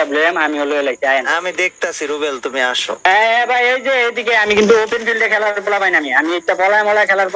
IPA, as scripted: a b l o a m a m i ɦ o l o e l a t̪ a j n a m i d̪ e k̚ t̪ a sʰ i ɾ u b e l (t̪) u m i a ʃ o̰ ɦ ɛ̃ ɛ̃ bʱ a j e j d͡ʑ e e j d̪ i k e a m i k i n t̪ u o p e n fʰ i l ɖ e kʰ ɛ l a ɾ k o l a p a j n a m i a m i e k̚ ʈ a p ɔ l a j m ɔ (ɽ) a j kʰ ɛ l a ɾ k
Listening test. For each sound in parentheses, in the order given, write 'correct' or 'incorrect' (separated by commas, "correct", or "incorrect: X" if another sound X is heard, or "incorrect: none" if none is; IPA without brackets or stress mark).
correct, incorrect: l